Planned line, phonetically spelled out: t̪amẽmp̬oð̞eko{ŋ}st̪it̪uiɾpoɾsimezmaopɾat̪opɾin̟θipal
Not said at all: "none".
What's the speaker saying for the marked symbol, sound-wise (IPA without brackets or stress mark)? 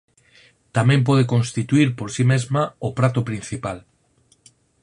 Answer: n